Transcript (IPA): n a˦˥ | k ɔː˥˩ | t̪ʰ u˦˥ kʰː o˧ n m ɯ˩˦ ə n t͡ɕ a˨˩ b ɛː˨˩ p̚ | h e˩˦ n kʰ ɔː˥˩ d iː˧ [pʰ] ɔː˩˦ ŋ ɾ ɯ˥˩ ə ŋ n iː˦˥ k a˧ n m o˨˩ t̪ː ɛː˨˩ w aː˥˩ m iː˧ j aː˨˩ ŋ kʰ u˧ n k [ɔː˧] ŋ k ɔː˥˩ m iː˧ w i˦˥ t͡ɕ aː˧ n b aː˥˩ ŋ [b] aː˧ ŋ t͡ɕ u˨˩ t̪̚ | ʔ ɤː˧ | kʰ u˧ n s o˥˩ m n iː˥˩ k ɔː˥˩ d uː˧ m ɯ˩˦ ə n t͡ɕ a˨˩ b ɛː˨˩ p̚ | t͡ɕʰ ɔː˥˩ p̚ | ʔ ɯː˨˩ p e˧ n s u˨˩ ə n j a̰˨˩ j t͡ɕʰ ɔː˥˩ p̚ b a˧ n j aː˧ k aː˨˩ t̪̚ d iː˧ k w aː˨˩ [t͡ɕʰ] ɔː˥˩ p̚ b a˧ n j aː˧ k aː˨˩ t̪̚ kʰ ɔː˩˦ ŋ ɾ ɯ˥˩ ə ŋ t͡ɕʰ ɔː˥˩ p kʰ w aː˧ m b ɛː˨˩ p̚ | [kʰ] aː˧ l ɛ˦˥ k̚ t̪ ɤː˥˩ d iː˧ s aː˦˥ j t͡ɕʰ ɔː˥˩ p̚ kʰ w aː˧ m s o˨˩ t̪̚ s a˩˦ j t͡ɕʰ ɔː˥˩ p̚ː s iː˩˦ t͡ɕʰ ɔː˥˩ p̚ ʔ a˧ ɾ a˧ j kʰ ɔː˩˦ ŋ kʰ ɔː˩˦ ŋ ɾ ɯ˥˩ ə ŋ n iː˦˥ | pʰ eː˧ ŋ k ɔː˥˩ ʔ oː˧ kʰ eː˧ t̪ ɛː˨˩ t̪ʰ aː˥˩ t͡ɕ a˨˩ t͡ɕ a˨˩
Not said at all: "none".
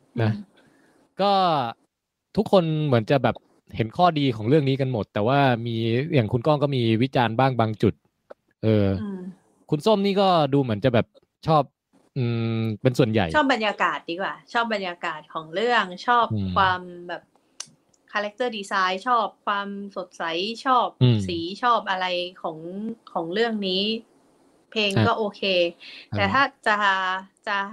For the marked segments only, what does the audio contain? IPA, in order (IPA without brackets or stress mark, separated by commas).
kʰ, ɔː˥˩, b, t͡ɕʰ, kʰ